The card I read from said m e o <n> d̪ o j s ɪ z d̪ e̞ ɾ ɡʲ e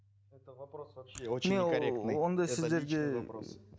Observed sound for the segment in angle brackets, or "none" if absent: n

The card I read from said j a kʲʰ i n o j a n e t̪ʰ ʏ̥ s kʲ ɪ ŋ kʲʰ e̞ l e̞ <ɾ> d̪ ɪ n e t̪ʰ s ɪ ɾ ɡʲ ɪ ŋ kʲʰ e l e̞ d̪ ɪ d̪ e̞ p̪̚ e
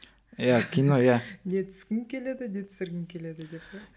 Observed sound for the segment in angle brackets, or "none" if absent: none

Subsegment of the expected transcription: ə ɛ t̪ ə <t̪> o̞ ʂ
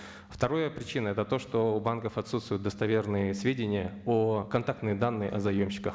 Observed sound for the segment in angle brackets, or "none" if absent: t̪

